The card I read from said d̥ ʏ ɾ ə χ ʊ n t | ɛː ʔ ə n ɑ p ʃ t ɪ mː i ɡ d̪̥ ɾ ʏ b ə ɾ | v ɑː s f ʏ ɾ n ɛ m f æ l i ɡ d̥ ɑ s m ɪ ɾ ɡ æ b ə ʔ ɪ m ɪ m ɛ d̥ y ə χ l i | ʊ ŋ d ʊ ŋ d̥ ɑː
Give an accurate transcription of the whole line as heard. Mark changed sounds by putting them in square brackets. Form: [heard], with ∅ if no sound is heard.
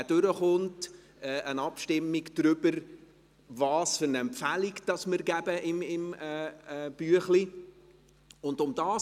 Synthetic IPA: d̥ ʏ ɾ ə χ ʊ n t | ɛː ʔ ə n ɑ p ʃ t ɪ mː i ɡ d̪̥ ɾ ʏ b ə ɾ | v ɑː s f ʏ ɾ n ɛ m f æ l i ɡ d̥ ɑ s m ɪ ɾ ɡ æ b ə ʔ ɪ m ɪ m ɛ [b̥] y ə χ l i | ʊ [n] d ʊ [m] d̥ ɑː